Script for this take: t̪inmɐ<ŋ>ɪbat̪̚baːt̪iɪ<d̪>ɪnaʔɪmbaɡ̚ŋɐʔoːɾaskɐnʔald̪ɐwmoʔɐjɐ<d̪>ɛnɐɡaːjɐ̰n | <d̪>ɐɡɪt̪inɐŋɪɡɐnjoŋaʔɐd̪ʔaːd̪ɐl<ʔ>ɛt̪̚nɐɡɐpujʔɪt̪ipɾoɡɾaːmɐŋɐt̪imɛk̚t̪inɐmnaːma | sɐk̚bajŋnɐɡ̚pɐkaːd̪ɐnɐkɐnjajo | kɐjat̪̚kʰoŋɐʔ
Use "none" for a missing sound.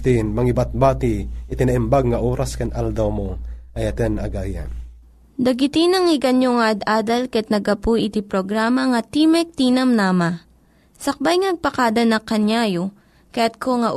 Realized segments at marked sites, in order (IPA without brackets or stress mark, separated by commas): ŋ, t̪, t̪, d̪, k